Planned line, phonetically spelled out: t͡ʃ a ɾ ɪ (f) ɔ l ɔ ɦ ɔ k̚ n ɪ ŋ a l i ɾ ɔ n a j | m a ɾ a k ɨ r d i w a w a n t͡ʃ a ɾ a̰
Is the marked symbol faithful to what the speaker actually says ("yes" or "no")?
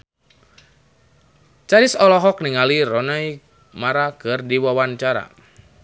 no